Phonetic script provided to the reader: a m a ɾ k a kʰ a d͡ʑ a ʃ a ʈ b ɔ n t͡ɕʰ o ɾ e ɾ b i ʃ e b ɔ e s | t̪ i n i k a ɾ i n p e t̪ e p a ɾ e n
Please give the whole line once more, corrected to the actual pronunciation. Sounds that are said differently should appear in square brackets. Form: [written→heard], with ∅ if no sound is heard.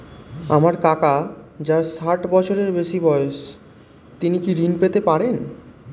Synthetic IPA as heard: a m a ɾ k a [kʰ→k] a d͡ʑ a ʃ a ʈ b ɔ [n→∅] t͡ɕʰ o ɾ e ɾ b [i→e] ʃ [e→i] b ɔ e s | t̪ i n i k [a→i] ɾ i n p e t̪ e p a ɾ e n